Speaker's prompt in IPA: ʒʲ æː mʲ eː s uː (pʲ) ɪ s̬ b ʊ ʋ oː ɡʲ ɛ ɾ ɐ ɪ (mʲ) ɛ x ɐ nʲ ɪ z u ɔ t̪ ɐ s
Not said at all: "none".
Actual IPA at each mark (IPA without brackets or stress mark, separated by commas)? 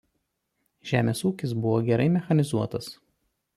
kʲ, mʲ